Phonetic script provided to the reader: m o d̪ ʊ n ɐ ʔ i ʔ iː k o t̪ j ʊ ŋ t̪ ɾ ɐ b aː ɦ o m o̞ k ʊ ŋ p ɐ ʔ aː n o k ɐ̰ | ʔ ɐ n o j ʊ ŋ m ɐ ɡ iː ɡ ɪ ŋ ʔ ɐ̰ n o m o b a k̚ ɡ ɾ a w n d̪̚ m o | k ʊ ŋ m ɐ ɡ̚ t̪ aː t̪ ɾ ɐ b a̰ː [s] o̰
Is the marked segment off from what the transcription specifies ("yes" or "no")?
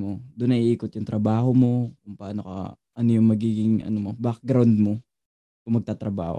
yes